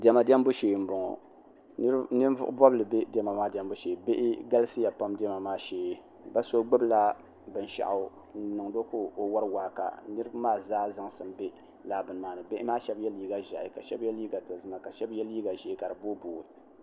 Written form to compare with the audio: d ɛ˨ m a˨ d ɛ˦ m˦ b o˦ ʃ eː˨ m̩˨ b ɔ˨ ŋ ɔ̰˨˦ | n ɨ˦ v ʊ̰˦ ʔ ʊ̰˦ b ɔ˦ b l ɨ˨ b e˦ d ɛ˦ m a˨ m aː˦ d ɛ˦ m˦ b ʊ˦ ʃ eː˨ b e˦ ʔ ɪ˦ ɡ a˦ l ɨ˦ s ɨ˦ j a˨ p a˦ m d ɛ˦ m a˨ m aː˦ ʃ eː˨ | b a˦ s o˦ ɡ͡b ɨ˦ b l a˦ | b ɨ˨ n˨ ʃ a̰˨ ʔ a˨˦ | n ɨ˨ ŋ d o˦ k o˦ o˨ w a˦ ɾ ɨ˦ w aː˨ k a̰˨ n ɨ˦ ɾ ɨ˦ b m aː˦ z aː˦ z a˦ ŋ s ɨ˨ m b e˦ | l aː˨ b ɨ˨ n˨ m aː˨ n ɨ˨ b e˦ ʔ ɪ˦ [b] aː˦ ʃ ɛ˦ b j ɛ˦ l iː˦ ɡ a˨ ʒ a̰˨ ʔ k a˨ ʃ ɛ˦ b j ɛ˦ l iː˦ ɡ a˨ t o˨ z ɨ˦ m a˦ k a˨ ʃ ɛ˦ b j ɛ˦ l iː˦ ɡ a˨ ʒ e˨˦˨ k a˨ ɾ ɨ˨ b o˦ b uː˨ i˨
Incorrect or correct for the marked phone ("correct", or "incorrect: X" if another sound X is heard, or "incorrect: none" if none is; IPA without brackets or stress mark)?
incorrect: m